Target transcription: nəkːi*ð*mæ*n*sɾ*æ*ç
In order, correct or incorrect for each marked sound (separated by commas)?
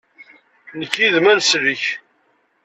correct, correct, incorrect